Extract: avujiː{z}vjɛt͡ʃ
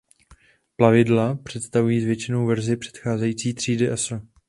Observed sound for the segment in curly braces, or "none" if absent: z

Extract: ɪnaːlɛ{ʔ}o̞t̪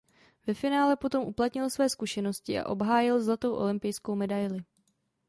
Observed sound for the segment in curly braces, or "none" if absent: p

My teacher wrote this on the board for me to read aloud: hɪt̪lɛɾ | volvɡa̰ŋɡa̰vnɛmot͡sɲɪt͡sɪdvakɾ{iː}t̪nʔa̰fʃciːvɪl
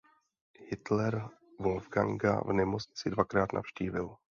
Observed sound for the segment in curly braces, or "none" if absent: aː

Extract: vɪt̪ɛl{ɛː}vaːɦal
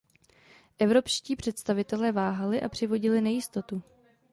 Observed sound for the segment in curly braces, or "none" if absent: ɛː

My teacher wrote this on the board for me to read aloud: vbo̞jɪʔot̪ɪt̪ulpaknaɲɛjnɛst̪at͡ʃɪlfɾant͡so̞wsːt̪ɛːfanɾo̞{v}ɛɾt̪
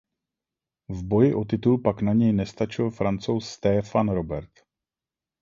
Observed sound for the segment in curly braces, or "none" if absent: b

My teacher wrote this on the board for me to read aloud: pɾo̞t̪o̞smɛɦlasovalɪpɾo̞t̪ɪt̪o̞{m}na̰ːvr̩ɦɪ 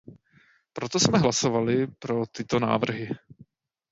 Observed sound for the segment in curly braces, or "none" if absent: none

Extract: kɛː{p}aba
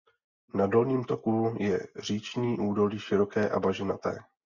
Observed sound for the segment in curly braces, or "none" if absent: ʔ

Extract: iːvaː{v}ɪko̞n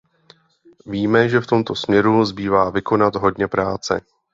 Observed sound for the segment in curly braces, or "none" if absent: v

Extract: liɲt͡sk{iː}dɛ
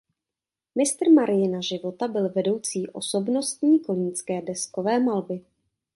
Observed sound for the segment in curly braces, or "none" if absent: ɛː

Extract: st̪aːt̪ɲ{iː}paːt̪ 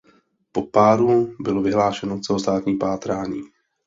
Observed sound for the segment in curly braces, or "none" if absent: iː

